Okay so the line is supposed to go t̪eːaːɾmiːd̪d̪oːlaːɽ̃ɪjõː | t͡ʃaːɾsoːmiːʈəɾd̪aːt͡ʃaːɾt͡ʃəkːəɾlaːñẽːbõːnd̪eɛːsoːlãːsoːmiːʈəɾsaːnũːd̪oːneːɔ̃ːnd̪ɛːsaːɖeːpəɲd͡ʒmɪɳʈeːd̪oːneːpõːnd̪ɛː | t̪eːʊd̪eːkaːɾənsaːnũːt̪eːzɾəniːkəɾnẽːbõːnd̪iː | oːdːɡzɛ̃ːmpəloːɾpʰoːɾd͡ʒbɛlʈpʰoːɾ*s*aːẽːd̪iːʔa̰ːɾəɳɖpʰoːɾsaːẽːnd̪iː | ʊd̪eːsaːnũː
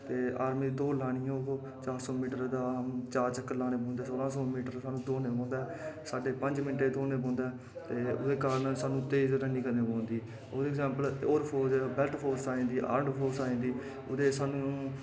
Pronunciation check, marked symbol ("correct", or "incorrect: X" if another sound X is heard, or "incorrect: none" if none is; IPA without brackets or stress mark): correct